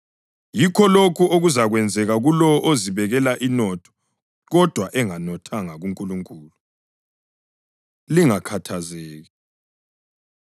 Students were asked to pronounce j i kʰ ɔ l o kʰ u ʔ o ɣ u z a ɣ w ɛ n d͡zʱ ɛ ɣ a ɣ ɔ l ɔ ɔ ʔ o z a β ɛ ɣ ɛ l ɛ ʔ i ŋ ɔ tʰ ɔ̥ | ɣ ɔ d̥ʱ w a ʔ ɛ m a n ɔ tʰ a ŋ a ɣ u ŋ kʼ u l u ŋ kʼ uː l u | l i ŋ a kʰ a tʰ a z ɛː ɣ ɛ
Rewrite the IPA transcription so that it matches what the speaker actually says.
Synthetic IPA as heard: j i kʰ ɔ l o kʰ u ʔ o ɣ u z a ɣ w ɛ n d͡zʱ ɛ ɣ a ɣ u l ɔ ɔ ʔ o z i β ɛ ɣ ɛ l a ʔ i n ɔ tʰ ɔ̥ | ɣ ɔ d̥ʱ w a ʔ ɛ ŋ a n ɔ tʰ a ŋ a ɣ u ŋ kʼ u l u ŋ kʼ uː l u | l i ŋ a kʰ a tʰ a z ɛː ɣ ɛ